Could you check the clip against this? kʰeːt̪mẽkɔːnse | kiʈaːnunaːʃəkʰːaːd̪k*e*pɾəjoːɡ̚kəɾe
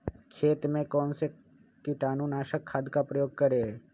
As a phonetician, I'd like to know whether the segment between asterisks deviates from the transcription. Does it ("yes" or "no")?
yes